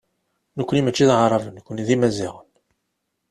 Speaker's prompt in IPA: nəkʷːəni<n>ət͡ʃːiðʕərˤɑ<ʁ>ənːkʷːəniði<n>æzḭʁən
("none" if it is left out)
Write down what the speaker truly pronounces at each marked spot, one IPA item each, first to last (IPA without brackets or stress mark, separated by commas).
m, v, m